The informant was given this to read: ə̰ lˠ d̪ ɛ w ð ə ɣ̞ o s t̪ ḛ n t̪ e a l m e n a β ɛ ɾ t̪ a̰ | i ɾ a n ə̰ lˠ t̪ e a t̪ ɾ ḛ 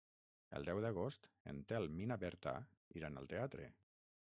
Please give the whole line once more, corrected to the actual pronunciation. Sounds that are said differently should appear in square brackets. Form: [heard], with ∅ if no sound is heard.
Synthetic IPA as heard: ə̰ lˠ d̪ ɛ w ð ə ɣ̞ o s t̪ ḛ n t̪ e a l m [i] n a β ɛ ɾ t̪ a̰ | i ɾ a n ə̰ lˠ t̪ e a t̪ ɾ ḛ

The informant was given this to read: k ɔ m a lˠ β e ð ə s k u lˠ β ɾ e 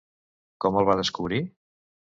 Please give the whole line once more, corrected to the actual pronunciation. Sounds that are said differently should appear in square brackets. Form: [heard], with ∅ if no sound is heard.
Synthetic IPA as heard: k ɔ m [ə] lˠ β [a] ð ə s k u [∅] β ɾ [i]

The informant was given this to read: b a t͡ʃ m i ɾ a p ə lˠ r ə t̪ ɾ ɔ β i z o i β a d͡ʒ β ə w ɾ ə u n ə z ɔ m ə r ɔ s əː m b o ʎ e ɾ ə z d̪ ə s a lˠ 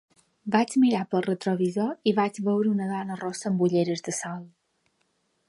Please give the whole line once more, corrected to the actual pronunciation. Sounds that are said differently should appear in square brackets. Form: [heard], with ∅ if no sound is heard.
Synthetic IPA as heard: b a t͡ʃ m i ɾ a p ə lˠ r ə t̪ ɾ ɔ β i z o i β a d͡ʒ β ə w ɾ ə u n ə [ð] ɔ [n] ə r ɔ s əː m b [u] ʎ e ɾ ə z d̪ ə s a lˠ

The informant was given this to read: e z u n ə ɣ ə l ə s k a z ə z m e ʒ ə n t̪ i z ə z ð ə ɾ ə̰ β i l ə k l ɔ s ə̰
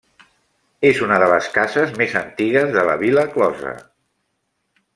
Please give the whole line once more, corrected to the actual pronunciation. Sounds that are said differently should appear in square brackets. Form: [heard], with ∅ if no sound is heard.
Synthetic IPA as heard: e z u n ə [ð] ə l ə s k a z ə z m e [z] ə n t̪ i [ɣ] ə z ð ə [l] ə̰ β i l ə k l ɔ [z] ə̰

